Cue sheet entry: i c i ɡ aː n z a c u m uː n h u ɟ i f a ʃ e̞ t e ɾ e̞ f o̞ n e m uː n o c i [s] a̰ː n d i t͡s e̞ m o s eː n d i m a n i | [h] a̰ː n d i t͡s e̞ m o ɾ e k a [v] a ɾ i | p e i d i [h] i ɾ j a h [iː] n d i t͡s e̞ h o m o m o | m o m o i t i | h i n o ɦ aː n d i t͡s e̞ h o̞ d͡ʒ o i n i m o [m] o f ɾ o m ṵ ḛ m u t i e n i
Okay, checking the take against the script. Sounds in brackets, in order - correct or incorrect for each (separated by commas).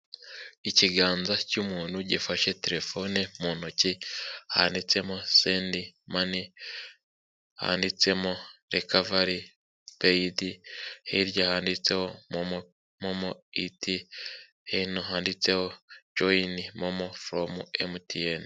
incorrect, correct, correct, correct, incorrect, correct